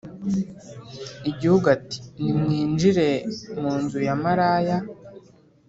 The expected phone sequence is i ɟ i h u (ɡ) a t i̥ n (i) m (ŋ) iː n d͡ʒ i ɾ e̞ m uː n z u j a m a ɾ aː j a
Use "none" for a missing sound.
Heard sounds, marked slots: ɡ, i, ŋ

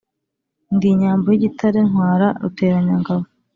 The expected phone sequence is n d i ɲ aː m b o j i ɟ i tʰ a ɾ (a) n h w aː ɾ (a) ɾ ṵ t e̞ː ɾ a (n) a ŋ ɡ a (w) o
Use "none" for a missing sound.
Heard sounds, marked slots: e, a, ɲ, β

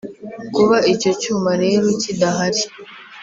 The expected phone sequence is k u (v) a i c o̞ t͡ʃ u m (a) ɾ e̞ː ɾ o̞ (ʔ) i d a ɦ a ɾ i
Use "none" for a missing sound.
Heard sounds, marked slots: β, a, c

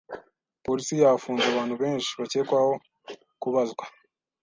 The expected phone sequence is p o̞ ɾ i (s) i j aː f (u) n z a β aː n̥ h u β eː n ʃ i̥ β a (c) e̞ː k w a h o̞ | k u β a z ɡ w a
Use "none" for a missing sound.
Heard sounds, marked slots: s, uː, c

